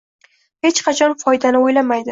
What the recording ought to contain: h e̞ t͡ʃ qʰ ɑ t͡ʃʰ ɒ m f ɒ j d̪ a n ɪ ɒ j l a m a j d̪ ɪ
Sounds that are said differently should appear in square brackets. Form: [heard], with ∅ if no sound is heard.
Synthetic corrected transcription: h e̞ t͡ʃ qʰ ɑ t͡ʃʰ ɒ [n] f ɒ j d̪ a n ɪ [o] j l a m a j d̪ ɪ